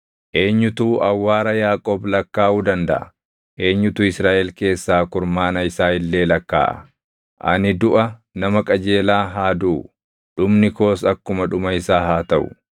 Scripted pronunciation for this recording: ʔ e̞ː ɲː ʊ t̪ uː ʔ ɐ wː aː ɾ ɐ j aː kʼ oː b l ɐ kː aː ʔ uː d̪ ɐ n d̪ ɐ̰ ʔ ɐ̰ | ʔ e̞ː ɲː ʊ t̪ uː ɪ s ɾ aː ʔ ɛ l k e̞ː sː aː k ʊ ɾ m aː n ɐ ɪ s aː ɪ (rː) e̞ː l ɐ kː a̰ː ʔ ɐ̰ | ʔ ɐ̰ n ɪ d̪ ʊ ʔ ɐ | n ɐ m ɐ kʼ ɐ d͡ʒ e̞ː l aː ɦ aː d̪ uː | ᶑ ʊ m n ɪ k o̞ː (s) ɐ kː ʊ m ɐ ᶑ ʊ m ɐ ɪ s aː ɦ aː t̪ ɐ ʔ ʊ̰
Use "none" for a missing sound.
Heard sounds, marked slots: lː, s

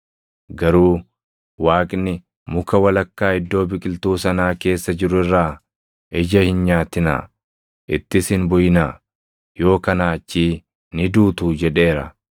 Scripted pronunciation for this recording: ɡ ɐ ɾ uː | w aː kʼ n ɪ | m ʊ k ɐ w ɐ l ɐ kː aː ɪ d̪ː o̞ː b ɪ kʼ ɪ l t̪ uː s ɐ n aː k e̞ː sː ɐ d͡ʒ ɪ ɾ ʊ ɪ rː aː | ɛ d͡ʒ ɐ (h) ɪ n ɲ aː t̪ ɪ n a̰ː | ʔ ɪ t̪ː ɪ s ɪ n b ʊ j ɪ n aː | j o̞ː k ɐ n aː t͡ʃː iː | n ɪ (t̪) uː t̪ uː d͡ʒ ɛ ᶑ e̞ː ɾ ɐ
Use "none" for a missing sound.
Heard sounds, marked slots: h, d̪

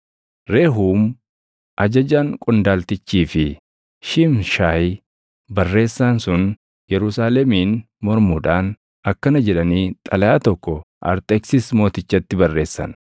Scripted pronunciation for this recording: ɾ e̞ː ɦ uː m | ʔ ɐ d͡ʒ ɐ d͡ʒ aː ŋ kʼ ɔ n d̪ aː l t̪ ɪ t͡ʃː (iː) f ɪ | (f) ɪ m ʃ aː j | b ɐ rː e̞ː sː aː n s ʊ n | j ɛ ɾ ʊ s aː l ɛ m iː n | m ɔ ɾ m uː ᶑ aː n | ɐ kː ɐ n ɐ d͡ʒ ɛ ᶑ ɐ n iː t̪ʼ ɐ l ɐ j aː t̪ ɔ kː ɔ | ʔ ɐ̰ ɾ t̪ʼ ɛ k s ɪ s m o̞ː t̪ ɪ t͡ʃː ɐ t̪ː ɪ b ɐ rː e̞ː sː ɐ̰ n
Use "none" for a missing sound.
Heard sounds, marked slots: iː, ʃ

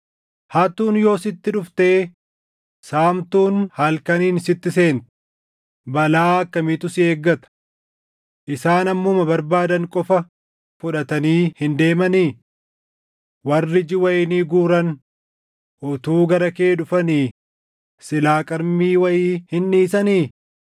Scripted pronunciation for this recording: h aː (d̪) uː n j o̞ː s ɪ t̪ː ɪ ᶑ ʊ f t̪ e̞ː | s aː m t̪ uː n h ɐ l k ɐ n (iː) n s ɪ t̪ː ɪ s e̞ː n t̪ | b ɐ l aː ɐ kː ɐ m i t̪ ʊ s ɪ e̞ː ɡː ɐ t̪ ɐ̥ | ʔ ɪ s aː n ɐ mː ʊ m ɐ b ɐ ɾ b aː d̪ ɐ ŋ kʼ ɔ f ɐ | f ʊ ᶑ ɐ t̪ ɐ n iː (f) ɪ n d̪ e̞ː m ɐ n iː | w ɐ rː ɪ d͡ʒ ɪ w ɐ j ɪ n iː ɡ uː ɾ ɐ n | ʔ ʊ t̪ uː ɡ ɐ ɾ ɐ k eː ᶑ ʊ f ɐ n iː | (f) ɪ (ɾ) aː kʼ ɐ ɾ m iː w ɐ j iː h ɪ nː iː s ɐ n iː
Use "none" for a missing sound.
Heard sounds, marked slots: t̪, iː, h, s, l

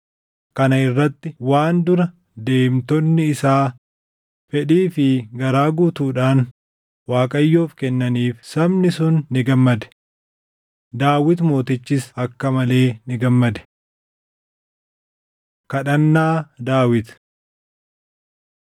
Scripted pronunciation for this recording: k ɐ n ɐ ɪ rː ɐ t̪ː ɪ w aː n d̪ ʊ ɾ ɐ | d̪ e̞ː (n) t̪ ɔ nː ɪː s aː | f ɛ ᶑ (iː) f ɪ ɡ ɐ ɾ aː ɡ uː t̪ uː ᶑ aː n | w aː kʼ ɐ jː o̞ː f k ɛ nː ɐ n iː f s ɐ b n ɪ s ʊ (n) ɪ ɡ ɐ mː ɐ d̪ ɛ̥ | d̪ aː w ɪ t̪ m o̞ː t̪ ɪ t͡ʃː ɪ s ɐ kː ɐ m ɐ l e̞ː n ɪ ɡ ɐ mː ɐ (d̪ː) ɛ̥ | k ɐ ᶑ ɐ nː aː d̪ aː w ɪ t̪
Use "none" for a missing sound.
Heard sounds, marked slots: m, iː, nː, d̪

